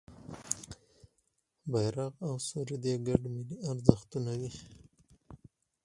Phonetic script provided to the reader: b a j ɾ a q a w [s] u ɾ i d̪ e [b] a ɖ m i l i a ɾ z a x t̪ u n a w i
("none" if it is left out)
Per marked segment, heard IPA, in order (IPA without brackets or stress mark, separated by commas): s, ɡ